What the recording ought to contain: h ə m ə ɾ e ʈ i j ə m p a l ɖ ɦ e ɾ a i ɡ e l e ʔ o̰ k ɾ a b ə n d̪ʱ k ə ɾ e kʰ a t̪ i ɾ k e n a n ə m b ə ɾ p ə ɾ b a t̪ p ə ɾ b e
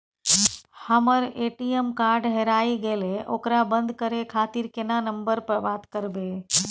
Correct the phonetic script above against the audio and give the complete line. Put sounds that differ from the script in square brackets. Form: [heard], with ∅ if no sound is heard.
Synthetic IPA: h ə m ə ɾ e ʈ i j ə m [k] a [ɾ] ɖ ɦ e ɾ a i ɡ e l e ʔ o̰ k ɾ a b ə n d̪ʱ k ə ɾ e kʰ a t̪ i ɾ k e n a n ə m b ə ɾ p ə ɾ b a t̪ [k] ə ɾ b e